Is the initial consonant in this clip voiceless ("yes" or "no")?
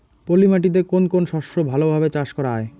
yes